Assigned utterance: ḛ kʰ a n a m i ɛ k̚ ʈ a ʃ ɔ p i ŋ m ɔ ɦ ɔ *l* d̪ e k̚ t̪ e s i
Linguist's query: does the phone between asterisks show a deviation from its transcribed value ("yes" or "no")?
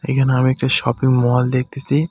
no